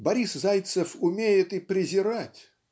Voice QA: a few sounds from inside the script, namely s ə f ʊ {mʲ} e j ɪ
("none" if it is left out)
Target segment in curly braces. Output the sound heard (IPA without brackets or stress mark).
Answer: mʲ